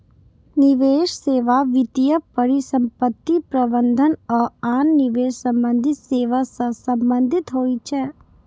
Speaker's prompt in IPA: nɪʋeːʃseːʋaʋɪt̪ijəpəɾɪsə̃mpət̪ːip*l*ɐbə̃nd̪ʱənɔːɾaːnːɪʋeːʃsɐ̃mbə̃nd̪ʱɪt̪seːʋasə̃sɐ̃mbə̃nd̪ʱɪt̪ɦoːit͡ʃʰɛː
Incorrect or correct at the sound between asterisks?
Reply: incorrect: ɾ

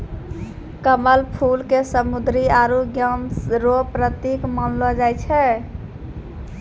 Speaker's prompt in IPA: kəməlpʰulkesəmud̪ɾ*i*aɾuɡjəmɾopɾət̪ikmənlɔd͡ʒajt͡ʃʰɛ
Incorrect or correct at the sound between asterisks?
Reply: correct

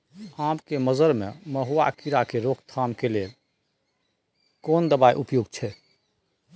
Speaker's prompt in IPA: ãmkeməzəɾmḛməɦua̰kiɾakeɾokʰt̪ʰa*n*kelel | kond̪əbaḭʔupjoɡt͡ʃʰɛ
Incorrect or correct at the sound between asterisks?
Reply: incorrect: m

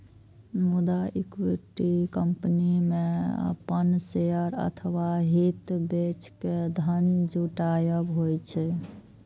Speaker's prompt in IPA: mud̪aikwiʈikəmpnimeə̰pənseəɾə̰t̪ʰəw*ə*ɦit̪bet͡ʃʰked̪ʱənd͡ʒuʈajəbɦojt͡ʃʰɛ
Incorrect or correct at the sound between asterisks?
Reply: incorrect: a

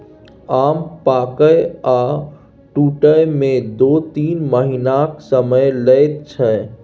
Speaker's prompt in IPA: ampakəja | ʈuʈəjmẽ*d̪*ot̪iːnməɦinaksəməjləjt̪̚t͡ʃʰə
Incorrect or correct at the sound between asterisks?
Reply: correct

